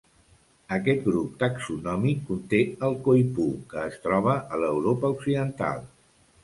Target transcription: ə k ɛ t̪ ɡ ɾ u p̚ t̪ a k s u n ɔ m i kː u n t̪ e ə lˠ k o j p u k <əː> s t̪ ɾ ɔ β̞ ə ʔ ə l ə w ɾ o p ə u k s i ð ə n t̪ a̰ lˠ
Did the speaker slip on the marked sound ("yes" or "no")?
no